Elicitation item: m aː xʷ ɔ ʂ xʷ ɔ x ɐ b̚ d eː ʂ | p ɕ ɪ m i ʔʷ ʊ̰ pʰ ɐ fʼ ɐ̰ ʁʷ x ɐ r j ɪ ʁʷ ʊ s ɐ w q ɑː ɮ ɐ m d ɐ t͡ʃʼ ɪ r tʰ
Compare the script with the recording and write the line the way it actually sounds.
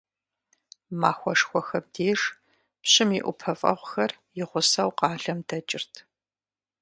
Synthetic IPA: m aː xʷ ɔ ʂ xʷ ɔ x ɐ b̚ d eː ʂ | p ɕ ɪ m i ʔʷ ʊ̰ pʰ ɐ fʼ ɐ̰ ʁʷ x ɐ r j ɪ ʁʷ ʊ s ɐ w q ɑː ɮ ɐ m d ɐ t͡ʃʼ ɪ r tʰ

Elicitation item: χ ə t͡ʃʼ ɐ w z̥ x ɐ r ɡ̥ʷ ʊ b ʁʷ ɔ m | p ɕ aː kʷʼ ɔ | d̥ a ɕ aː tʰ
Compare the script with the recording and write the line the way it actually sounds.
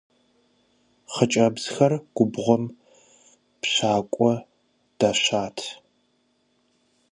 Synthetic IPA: χ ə t͡ʃʼ ɐ b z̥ x ɐ r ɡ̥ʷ ʊ b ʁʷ ɔ m | p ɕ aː kʷʼ ɔ | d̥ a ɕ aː tʰ

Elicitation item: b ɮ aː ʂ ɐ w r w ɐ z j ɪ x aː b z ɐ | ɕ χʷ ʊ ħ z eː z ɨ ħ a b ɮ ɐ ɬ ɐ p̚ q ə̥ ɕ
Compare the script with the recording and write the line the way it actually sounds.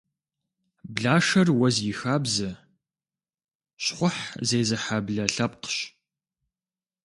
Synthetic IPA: b ɮ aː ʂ ɐ r w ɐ z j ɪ x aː b z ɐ | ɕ χʷ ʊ ħ z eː z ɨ ħ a b ɮ ɐ ɬ ɐ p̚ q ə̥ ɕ

